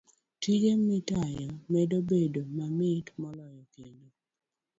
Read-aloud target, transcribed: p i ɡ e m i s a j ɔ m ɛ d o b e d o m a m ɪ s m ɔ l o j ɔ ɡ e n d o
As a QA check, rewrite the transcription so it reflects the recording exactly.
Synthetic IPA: t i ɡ e m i t a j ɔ m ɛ d o b e d o m a m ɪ t m ɔ l ɔ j ɔ k e n d o